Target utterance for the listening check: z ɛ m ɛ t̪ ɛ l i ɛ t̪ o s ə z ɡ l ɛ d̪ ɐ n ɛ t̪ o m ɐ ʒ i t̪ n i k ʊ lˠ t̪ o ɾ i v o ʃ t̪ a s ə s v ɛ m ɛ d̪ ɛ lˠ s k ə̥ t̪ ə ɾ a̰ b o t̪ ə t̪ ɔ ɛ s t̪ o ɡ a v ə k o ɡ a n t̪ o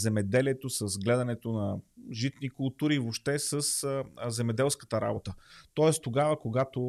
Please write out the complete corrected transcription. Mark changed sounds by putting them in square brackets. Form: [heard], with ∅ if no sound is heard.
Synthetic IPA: z ɛ m ɛ [d̪] ɛ l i ɛ t̪ o s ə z ɡ l ɛ d̪ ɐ n ɛ t̪ o [n] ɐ ʒ i t̪ n i k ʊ lˠ t̪ [u] ɾ i v o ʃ t̪ [ɛ] s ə s [z] ɛ m ɛ d̪ ɛ lˠ s k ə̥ t̪ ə ɾ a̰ b o t̪ ə t̪ ɔ ɛ s t̪ o ɡ a v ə k o ɡ a [∅] t̪ o